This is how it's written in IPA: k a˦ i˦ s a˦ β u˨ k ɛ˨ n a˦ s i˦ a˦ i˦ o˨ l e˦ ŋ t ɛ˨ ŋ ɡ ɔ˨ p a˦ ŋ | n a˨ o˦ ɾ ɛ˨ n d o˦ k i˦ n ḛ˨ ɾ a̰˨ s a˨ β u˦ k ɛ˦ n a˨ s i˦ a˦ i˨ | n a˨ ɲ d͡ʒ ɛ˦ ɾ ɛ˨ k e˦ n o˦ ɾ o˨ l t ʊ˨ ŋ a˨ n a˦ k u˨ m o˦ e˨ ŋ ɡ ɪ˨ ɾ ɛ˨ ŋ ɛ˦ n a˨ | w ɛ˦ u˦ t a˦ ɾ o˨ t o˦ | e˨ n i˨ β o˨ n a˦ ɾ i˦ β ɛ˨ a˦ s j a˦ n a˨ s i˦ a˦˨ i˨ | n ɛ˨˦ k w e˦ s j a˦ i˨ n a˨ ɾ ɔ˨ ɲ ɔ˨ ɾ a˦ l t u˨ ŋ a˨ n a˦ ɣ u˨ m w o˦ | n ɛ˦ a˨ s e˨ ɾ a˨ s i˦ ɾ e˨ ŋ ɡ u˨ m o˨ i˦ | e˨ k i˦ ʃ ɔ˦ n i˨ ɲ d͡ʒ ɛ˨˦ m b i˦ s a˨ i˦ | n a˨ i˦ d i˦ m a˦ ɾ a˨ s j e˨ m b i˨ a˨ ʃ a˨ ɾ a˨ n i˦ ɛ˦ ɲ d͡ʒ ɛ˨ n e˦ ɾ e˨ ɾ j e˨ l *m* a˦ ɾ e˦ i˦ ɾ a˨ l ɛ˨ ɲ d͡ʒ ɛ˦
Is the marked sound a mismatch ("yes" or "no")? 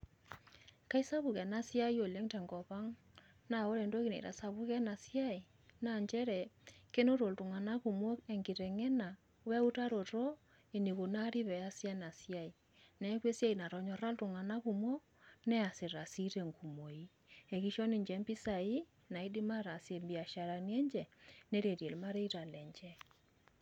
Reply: no